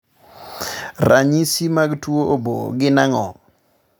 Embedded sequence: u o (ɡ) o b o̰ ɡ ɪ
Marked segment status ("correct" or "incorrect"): incorrect